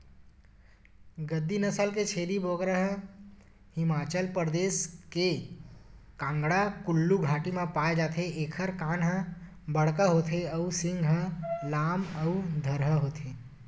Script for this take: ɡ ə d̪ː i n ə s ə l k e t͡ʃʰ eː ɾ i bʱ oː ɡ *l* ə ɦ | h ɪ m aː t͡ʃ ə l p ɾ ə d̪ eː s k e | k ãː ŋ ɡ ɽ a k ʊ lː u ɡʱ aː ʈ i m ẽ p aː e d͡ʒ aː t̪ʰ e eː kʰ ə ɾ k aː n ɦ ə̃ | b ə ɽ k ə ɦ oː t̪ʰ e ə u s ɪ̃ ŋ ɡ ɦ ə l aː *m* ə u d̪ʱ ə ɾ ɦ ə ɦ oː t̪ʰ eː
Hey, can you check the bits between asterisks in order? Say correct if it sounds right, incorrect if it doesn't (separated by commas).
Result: incorrect, correct